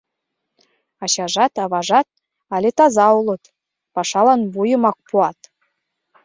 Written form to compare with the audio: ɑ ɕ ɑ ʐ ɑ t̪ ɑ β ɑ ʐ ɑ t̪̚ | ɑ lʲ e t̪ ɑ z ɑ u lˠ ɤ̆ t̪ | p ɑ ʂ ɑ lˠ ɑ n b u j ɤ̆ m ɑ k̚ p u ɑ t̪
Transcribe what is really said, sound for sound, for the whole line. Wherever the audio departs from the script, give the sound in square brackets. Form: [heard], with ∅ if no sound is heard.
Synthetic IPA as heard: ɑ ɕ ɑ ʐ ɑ t̪ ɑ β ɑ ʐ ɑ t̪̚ | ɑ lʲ e t̪ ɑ z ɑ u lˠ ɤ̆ t̪ | p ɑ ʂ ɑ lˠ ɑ n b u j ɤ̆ m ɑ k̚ p u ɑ t̪